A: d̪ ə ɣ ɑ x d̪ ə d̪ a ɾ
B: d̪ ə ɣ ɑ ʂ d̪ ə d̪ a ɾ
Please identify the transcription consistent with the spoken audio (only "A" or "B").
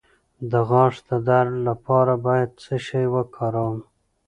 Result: B